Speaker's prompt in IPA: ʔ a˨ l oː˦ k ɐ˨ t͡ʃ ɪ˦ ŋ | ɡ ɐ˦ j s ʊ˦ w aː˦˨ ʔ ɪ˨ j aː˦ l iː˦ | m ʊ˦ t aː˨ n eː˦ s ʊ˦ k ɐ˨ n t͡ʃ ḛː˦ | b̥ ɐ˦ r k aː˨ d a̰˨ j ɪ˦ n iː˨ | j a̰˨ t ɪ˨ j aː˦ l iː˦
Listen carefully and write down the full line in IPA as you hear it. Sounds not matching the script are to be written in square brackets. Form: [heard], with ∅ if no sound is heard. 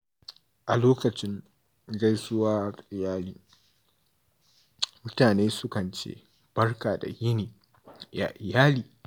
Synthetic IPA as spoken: ʔ a˨ l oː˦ k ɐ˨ t͡ʃ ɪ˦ ŋ | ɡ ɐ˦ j s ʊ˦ w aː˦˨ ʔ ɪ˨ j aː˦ l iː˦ | m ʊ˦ t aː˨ n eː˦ s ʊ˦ k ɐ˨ n t͡ʃ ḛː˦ | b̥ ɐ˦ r k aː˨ d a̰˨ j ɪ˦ n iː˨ | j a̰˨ [ʔ] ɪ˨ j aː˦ l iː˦

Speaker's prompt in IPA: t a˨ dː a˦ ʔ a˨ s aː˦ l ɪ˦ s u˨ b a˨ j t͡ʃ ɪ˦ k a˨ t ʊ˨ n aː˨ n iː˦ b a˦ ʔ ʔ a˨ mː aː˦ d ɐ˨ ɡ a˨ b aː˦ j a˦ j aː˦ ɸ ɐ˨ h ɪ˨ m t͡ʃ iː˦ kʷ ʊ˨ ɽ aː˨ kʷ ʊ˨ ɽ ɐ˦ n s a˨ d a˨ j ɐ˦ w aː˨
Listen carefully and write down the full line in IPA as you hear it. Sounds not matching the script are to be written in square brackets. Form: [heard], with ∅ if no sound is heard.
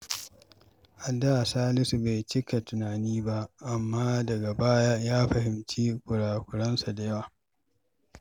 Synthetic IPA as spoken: [ʔ] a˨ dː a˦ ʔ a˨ s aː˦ l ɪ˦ s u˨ b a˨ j t͡ʃ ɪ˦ k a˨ t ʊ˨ n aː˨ n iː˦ b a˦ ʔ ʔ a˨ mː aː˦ d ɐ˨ ɡ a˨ b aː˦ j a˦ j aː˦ ɸ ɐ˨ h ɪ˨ m t͡ʃ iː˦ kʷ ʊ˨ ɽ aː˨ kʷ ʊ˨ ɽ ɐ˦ n s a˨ d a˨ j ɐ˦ w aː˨

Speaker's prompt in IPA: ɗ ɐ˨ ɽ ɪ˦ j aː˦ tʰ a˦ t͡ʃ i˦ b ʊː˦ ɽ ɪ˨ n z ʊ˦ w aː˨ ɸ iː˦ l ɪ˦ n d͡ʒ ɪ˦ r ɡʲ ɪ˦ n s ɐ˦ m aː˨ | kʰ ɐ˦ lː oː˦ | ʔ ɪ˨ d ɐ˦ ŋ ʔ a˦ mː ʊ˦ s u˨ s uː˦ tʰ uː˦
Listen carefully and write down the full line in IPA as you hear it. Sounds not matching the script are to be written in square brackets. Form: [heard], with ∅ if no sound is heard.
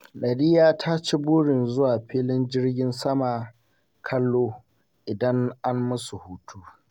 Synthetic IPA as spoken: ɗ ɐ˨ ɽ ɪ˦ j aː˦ tʰ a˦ t͡ʃ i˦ b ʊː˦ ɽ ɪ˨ n z ʊ˦ w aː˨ ɸ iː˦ l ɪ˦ n d͡ʒ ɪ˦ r ɡʲ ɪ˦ n s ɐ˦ m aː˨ | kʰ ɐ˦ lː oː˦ | ʔ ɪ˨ d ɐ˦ ŋ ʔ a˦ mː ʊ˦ s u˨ [h] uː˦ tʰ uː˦

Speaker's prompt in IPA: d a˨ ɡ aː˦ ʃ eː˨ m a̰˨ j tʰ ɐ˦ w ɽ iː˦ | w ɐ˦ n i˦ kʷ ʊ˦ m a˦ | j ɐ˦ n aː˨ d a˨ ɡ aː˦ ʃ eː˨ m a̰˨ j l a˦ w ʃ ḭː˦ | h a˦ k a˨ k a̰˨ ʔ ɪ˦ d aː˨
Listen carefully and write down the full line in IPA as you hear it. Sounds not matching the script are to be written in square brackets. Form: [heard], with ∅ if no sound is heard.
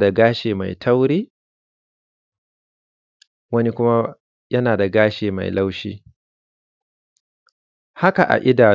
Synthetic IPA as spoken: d a˨ ɡ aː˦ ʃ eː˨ m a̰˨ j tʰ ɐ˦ w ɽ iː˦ | w ɐ˦ n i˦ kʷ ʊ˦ m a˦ | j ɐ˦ n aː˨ d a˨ ɡ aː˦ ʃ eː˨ m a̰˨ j l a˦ w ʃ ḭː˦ | h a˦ k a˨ [ʔ] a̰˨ ʔ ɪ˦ d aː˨

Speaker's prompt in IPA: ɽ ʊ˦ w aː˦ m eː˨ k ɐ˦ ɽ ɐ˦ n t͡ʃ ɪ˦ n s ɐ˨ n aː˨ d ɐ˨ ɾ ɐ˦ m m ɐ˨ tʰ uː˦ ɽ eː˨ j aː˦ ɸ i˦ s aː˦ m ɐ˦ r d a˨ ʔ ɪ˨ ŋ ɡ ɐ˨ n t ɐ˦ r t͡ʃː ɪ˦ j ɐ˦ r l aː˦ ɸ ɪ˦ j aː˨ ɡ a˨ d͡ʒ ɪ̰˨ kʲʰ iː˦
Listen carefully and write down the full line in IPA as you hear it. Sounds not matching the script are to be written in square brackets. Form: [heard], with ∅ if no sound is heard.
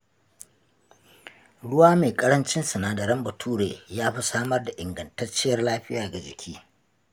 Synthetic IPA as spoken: ɽ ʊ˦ w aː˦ m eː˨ [kʼ] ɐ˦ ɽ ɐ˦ n t͡ʃ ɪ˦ n s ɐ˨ n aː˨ d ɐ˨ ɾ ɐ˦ m [b] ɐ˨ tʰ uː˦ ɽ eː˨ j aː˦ ɸ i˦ s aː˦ m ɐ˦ r d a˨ ʔ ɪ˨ ŋ ɡ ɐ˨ n t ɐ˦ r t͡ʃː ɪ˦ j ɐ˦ r l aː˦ ɸ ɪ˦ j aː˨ ɡ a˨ d͡ʒ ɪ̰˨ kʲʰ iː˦

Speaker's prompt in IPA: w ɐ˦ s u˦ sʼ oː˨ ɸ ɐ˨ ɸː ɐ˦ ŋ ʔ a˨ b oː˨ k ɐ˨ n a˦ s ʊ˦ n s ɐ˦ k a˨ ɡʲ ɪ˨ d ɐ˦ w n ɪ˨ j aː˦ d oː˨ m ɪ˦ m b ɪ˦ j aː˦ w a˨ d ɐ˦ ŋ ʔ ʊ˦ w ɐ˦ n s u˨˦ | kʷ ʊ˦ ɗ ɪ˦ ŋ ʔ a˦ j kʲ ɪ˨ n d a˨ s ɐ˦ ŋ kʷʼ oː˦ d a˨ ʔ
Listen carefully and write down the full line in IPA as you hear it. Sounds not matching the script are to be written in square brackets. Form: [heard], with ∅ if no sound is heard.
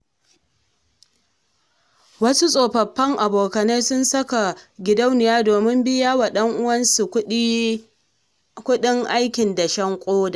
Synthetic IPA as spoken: w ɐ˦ s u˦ sʼ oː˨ ɸ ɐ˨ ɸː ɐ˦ ŋ ʔ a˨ b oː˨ k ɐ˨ n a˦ s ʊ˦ n s ɐ˦ k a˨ ɡʲ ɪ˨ d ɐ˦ w n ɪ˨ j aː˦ d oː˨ m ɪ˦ m b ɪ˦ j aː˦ w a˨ [ɗ] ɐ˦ ŋ ʔ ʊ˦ w ɐ˦ n s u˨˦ | kʷ ʊ˦ ɗ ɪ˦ ŋ ʔ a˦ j kʲ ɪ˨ n d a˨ [ʃ] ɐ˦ ŋ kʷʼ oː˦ d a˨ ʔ

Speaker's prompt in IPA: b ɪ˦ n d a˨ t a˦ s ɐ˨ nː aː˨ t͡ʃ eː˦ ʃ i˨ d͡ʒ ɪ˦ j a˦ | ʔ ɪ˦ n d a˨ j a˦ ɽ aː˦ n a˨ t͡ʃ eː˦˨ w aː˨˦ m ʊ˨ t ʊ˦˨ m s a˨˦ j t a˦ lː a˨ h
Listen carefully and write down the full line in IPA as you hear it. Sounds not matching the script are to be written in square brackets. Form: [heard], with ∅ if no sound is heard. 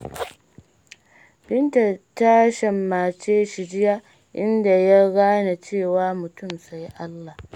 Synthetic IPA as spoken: b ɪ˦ n [t] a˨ t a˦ [ʃ] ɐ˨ [mː] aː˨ t͡ʃ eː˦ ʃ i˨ d͡ʒ ɪ˦ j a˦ | ʔ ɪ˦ n d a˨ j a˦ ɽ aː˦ n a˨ t͡ʃ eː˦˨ w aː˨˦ m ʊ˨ t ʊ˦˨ m s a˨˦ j [ʔ] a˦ lː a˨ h

